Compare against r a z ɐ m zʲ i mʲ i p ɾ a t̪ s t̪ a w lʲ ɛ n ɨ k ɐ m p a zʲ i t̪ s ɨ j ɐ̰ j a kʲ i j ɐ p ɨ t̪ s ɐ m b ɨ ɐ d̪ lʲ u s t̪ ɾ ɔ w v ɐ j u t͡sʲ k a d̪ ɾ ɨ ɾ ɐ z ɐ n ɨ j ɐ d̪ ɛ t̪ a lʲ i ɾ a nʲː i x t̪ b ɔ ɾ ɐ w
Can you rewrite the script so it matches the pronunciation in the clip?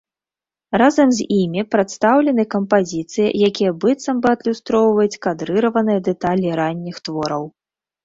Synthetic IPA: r a z ɐ m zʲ i mʲ i p ɾ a t̪ s t̪ a w lʲ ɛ n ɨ k ɐ m p a zʲ i t̪ s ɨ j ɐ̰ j a kʲ i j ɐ b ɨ t̪ s ɐ m b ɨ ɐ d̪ lʲ u s t̪ ɾ ɔ w v ɐ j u t͡sʲ k a d̪ ɾ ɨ ɾ ɐ v ɐ n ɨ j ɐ d̪ ɛ t̪ a lʲ i ɾ a nʲː i x t̪ v ɔ ɾ ɐ w